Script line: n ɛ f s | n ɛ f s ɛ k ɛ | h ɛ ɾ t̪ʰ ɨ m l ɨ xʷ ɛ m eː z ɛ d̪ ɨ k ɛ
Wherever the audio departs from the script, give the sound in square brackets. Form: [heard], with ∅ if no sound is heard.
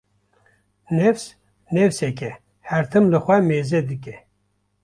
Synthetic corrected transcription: n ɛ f s | n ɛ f s ɛ k ɛ | h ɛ ɾ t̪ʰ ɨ m l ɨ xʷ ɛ m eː z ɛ d̪ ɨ k ɛ